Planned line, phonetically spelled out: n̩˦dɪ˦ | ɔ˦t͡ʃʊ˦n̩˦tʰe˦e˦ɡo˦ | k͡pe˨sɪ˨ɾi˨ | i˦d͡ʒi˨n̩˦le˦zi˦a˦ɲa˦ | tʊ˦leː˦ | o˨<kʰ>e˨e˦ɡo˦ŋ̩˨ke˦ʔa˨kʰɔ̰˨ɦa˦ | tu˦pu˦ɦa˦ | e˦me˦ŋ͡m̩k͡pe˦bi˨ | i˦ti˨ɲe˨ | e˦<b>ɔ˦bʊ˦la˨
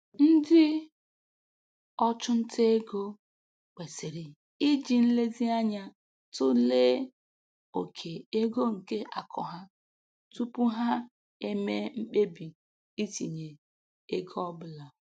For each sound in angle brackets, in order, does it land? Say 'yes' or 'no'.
yes, no

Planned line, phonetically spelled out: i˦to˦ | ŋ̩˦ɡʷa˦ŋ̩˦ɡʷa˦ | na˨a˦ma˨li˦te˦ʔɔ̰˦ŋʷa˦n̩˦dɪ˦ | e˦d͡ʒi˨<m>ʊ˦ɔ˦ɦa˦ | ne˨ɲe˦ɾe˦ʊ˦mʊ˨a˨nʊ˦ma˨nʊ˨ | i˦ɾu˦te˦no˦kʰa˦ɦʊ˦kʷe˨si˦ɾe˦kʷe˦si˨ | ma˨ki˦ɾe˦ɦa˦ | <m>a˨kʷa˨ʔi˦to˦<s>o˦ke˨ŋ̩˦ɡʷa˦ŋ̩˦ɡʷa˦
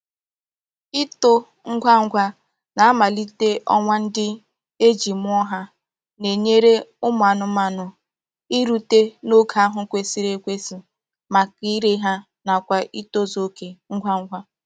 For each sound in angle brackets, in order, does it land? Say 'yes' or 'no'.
yes, no, no

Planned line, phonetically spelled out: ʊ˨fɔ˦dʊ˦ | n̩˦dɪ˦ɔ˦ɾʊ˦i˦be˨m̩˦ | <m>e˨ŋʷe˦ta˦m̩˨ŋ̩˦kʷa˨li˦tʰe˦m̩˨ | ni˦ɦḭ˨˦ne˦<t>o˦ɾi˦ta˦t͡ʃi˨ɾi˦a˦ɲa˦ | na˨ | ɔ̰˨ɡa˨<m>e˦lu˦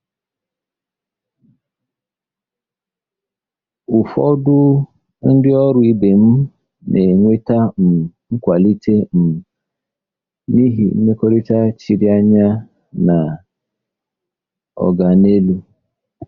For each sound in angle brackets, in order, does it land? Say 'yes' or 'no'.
no, no, no

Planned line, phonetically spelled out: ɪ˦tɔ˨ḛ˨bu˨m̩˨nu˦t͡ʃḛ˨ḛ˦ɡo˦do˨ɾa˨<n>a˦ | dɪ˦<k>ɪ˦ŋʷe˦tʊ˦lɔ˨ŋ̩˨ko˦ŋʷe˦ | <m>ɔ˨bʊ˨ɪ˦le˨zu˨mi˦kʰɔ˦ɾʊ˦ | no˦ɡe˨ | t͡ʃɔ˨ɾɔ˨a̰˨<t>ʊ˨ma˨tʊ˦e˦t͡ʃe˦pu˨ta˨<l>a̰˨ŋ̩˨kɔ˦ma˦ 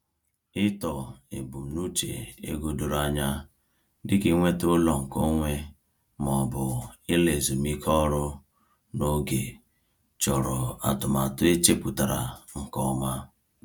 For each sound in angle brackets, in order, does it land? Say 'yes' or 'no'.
no, yes, yes, yes, no

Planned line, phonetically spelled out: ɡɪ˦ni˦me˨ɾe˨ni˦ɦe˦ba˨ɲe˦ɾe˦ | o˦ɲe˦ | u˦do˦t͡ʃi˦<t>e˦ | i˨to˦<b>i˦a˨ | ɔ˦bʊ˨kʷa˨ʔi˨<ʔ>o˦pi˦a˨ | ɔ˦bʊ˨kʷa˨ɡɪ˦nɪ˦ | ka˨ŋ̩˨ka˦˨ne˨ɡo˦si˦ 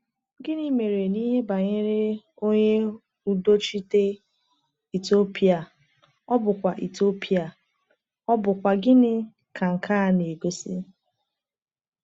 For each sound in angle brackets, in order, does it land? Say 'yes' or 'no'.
yes, no, no

